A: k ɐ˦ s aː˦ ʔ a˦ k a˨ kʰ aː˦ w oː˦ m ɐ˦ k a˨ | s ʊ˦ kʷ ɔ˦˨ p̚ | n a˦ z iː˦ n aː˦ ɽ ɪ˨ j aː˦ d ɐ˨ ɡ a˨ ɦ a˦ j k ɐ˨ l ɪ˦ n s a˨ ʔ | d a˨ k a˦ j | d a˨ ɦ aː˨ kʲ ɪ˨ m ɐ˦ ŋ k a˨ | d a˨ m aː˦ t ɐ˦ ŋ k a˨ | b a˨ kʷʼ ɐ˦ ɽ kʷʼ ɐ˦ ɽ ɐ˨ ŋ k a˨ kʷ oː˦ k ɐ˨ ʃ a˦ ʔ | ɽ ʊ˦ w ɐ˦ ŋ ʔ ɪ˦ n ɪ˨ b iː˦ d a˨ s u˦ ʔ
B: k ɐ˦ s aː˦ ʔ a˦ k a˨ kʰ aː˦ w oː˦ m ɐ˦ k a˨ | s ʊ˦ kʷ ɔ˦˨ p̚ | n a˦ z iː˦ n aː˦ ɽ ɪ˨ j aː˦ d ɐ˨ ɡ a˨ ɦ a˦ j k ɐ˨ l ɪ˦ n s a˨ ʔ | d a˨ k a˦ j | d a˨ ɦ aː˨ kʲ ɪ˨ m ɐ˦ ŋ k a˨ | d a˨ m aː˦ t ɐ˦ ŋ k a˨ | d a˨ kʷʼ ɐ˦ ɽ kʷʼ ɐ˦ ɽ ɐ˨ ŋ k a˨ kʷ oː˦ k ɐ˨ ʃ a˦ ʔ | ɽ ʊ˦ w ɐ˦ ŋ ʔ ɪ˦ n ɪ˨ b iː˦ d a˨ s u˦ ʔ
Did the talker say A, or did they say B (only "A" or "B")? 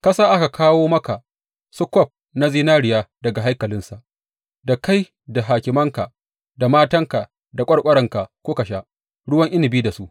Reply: B